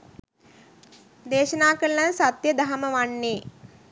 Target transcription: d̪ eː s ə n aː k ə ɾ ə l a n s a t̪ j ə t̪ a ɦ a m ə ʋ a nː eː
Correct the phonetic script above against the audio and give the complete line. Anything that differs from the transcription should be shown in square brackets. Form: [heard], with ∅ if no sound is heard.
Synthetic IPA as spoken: d̪ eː [ʃ] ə n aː k ə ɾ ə l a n s a t̪ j ə [d̪] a ɦ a m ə ʋ a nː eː